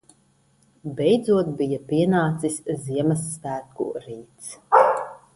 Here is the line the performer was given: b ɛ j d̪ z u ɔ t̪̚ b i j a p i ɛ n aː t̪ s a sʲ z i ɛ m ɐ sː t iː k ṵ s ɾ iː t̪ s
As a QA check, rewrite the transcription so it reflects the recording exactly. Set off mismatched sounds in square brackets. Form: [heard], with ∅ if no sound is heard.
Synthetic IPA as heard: b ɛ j d̪ z u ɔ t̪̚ b i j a p i ɛ n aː t̪ s [i] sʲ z i ɛ m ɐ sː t [æː] k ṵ [∅] ɾ iː t̪ s

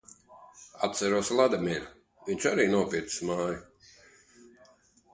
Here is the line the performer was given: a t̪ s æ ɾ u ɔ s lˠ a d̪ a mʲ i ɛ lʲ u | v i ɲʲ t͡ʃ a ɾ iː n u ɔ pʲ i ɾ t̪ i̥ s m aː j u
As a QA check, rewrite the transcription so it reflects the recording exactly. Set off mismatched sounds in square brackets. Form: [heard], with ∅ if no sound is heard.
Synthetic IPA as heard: a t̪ s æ ɾ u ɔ s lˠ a d̪ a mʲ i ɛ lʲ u | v i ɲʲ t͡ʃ a ɾ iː n u ɔ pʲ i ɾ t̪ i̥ s m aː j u

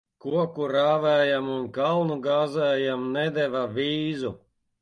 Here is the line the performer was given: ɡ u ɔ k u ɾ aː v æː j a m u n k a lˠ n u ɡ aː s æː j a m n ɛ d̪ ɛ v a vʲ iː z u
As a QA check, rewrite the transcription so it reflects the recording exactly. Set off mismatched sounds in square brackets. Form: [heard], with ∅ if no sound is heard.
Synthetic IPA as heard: [k] u ɔ k u ɾ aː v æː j a m u n k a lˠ n u ɡ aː [z] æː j a m n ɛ d̪ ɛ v a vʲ iː z u

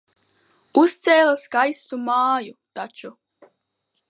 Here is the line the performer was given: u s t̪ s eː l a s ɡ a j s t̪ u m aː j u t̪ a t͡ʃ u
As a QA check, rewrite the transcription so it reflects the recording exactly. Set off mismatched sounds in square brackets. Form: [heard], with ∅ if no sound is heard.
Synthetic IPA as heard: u s t̪ s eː l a s ɡ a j s t̪ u m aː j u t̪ a t͡ʃ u

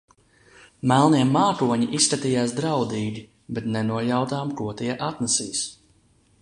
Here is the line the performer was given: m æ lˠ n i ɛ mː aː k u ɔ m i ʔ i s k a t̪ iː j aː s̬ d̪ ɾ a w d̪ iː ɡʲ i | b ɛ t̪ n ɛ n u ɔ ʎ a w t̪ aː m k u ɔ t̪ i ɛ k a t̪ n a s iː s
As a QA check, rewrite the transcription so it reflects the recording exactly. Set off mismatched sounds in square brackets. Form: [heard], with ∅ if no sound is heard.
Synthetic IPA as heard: m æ lˠ n i ɛ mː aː k u ɔ [ɲ] i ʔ i s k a t̪ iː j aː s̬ d̪ ɾ a w d̪ iː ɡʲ i | b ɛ t̪ n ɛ n u ɔ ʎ a w t̪ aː m k u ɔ t̪ i ɛ [ʔ] a t̪ n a s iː s

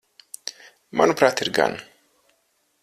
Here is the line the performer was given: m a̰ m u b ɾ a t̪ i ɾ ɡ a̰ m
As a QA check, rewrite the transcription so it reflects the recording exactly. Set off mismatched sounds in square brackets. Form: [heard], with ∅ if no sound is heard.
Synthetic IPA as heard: m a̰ [n] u [p] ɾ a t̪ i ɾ ɡ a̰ [n]

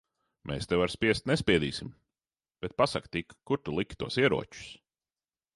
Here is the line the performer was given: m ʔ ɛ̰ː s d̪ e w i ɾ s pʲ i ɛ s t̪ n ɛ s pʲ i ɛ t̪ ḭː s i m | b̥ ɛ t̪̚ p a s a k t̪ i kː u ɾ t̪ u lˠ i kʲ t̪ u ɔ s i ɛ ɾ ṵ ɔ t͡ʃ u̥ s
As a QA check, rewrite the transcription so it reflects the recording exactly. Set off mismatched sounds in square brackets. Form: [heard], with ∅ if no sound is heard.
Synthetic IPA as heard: m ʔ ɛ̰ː s [t̪] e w [a] ɾ s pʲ i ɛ s t̪ n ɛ s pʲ i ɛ [d̪] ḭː s i m | b̥ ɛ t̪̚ p a s a k t̪ i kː u ɾ t̪ u lˠ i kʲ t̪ u ɔ s i ɛ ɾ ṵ ɔ t͡ʃ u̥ s

